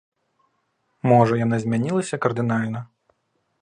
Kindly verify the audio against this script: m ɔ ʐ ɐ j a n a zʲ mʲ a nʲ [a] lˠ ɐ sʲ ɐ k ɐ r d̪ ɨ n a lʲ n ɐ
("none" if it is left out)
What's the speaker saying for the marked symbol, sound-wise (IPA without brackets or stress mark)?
i